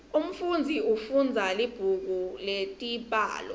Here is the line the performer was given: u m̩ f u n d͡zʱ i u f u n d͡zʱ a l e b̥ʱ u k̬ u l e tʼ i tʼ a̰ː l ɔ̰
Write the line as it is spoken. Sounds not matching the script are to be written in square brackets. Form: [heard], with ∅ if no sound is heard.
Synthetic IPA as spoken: u m̩ f u n d͡zʱ i u f u n d͡zʱ a l [i] b̥ʱ u k̬ u l e tʼ i [pʼ] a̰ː l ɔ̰